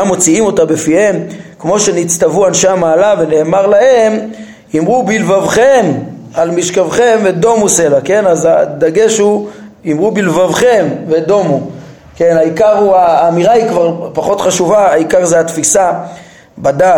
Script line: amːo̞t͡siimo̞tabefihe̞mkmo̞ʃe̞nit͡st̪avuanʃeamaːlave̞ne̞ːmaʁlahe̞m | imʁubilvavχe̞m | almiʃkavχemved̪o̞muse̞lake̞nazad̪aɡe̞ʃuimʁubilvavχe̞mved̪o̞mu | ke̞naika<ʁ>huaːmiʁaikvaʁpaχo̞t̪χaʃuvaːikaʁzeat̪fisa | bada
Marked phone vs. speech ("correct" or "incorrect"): correct